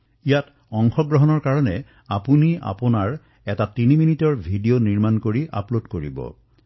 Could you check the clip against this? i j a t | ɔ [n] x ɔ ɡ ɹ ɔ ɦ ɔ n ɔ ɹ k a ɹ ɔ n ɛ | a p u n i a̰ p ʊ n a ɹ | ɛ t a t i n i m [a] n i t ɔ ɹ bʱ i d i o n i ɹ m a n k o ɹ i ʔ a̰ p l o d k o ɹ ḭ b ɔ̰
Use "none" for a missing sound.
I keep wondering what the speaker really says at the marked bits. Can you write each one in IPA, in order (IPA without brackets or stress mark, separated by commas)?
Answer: ŋ, i